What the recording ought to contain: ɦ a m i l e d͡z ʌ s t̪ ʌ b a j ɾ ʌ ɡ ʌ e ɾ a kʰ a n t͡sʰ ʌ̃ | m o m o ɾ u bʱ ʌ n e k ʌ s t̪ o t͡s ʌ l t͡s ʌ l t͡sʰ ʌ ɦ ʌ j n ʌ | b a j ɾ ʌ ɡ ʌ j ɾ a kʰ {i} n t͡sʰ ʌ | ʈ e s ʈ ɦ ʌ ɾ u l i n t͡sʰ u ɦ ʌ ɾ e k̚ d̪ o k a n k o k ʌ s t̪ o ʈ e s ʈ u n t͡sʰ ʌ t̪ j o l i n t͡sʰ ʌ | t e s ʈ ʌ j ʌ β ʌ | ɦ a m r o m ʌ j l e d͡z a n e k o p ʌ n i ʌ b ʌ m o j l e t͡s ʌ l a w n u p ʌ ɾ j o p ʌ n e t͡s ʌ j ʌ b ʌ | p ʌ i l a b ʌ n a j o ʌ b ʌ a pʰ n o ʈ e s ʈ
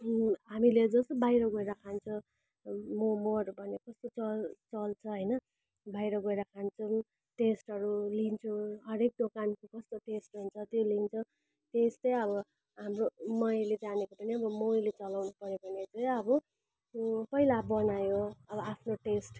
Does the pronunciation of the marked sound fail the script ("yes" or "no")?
yes